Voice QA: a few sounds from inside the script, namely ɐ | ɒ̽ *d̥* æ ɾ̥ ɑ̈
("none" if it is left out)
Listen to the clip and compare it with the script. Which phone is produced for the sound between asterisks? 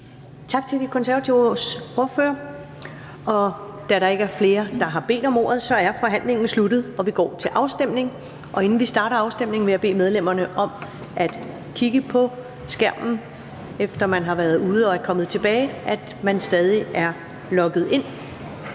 d̥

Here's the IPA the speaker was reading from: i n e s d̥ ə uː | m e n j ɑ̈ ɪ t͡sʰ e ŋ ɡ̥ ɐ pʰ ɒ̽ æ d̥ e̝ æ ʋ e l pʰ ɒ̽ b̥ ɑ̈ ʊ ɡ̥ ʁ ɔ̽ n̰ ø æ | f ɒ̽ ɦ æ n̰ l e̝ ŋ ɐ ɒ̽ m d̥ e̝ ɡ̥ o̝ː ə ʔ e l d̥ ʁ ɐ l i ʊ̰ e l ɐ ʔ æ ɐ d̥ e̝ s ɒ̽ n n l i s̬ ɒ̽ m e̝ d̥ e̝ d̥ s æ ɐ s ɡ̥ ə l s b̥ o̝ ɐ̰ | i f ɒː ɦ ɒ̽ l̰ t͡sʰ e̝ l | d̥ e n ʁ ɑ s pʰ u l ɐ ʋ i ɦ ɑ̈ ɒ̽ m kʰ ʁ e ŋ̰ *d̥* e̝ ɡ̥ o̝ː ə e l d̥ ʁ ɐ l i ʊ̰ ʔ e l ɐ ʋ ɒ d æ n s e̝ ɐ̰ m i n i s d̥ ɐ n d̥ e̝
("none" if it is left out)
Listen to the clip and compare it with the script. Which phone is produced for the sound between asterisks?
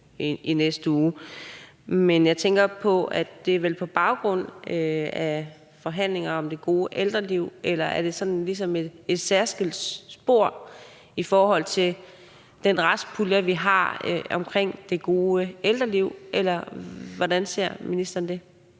d̥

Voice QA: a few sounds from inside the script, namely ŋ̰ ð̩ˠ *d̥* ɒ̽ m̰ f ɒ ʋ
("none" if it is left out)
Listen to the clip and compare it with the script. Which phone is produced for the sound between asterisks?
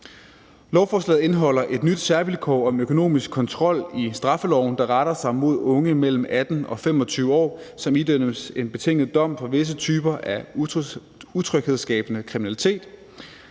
d̥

